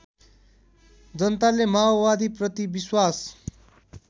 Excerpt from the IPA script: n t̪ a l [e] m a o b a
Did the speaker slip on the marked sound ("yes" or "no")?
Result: no